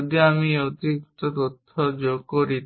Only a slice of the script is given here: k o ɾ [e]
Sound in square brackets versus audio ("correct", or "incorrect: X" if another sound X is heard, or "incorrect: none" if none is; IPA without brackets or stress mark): incorrect: i